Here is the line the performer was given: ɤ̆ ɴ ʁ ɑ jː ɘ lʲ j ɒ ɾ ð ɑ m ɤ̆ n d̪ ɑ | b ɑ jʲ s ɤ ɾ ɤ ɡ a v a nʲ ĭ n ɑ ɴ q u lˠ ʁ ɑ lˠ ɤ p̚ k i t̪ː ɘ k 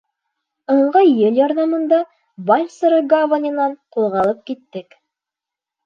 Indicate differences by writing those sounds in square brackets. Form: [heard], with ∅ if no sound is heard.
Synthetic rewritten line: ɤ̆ ɴ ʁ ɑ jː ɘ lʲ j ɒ ɾ ð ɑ m ɤ̆ n d̪ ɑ | b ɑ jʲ s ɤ ɾ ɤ ɡ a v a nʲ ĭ n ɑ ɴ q u lˠ ʁ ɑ lˠ ɤ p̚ k i t̪ː ɘ k